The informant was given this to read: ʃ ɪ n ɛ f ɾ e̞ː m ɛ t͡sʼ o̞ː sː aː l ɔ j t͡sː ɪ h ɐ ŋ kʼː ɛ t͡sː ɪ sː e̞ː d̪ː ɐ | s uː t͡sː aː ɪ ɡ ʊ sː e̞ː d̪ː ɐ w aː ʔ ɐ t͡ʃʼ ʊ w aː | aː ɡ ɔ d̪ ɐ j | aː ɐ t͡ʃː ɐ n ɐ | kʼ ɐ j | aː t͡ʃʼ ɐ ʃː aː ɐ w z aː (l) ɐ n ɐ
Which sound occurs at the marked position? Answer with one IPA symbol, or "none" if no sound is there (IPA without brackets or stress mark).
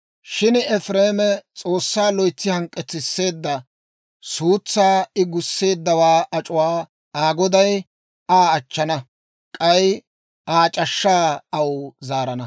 ɾ